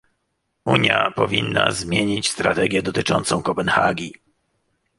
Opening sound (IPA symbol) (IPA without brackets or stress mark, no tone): u